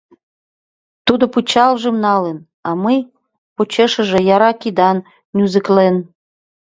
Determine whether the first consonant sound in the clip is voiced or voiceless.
voiceless